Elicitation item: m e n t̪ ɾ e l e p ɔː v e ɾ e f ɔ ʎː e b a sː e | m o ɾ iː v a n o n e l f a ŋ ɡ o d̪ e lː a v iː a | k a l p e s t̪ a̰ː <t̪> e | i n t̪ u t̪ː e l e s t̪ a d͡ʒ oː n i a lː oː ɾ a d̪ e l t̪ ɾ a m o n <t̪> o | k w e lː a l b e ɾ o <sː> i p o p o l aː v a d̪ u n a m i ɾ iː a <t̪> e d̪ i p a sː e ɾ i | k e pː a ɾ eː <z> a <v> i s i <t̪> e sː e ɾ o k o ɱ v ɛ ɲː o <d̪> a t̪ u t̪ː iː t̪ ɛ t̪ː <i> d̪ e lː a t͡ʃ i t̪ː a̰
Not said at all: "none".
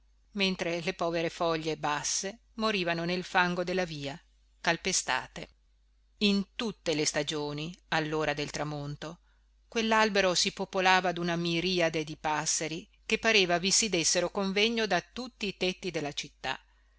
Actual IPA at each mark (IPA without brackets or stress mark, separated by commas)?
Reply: t̪, t̪, s, d̪, v, v, d̪, d̪, i